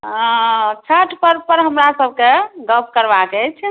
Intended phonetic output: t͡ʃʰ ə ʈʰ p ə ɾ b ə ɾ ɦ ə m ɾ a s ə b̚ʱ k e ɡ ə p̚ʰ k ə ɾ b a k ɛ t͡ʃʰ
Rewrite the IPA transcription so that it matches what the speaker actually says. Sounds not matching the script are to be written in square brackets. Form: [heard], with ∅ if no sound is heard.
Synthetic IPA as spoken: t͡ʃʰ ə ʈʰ p ə ɾ [p] ə ɾ ɦ ə m ɾ a s ə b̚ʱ k e ɡ ə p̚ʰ k ə ɾ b a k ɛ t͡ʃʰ